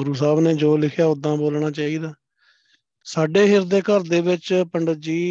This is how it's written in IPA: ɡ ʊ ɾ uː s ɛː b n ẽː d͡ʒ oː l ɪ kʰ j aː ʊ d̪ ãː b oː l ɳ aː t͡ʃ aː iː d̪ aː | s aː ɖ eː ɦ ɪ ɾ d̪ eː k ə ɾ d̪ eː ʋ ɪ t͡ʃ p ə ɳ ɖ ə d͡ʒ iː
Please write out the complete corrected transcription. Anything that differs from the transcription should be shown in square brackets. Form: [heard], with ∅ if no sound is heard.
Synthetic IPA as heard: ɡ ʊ ɾ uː s [aː] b n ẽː d͡ʒ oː l ɪ kʰ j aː ʊ d̪ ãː b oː l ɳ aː t͡ʃ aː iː d̪ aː | s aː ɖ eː ɦ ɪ ɾ d̪ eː k ə ɾ d̪ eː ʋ ɪ t͡ʃ p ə ɳ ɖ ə d͡ʒ iː